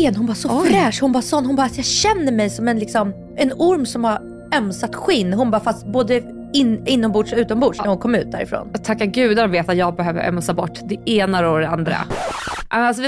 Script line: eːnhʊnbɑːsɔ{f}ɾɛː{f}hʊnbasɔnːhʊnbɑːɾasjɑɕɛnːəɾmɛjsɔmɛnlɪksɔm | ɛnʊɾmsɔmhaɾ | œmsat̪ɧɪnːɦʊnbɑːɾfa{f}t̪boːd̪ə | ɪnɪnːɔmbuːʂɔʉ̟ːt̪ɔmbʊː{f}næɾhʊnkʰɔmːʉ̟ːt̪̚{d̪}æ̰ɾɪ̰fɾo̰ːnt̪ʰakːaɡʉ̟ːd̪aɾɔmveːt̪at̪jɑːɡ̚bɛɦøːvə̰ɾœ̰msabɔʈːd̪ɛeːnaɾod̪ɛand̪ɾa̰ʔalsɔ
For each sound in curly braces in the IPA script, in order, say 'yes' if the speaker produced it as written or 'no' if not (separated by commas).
yes, no, no, no, yes